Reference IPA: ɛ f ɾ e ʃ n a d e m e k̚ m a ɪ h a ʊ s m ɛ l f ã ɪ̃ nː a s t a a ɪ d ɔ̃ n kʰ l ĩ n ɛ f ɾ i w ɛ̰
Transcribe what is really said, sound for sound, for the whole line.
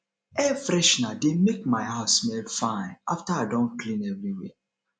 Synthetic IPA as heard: ɛ f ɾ ɛ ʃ n a d e m e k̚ m a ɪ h a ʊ s m ɛ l f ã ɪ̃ n a f t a a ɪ d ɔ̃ n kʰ l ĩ n ɛ v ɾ i w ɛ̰